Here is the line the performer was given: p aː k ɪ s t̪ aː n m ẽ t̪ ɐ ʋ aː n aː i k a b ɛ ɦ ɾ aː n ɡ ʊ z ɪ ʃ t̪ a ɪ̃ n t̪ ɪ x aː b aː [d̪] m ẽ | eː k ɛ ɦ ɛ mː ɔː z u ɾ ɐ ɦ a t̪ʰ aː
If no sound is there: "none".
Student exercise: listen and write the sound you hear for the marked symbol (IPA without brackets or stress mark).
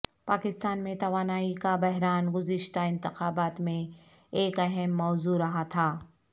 t̪